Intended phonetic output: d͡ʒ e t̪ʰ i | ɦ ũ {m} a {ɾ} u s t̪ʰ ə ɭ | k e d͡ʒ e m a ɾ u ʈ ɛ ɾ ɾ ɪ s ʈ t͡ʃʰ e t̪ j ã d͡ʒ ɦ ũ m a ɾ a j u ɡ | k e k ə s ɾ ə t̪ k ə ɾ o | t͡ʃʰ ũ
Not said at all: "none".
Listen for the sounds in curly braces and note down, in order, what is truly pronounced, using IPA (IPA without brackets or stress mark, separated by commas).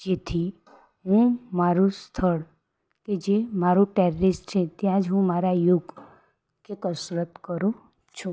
m, ɾ